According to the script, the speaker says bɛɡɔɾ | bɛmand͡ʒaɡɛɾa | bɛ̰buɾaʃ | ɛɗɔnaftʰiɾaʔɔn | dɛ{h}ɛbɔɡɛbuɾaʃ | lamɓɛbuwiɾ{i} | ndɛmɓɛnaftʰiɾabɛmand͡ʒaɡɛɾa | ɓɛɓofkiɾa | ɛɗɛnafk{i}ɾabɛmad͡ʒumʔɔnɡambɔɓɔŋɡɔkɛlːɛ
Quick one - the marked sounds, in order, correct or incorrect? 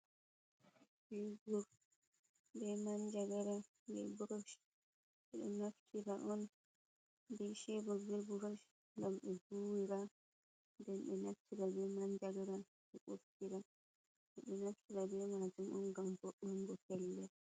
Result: incorrect, incorrect, correct

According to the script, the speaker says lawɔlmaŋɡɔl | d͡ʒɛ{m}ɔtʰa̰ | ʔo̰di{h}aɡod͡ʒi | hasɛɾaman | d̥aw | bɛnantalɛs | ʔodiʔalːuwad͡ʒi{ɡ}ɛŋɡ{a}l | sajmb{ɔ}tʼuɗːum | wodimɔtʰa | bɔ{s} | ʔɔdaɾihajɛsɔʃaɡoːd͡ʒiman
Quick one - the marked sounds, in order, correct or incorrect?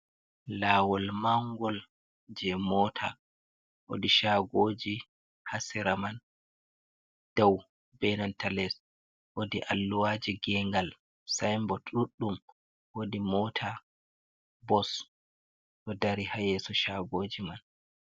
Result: correct, incorrect, correct, correct, correct, correct

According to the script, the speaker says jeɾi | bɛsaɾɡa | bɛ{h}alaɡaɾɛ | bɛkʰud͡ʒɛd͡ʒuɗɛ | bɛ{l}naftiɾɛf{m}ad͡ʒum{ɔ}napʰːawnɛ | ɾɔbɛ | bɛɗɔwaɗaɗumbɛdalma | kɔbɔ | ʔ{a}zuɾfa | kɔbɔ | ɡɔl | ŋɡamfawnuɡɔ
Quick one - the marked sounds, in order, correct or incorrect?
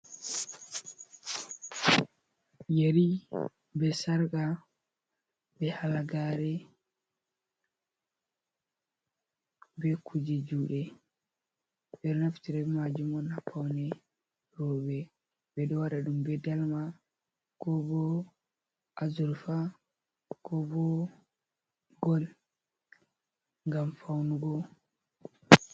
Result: correct, incorrect, correct, correct, correct

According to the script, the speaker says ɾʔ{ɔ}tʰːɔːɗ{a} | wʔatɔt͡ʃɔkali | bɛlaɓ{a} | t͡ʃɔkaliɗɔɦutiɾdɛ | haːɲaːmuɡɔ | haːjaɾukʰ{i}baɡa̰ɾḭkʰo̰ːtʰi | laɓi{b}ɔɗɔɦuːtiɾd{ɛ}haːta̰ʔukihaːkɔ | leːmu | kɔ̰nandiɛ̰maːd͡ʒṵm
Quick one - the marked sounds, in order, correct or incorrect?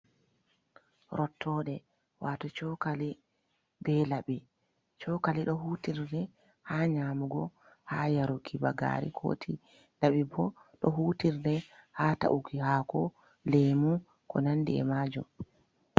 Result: correct, incorrect, incorrect, correct, correct, correct

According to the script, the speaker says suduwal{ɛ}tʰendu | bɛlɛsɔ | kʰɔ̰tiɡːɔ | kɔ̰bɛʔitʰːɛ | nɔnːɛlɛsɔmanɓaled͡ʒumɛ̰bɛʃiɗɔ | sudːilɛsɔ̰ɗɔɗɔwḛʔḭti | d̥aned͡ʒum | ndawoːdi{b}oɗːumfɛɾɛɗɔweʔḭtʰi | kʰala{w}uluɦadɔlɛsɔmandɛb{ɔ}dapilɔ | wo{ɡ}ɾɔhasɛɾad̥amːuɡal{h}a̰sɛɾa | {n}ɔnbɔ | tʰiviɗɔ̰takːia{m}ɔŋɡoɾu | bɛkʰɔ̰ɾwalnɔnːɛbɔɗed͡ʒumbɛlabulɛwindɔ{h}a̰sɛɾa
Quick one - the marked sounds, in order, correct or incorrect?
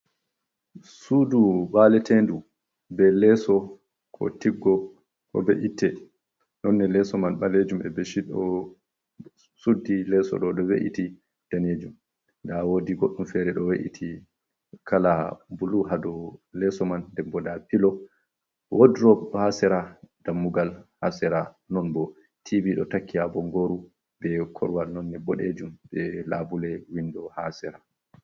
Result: correct, incorrect, incorrect, correct, incorrect, correct, correct, incorrect, correct

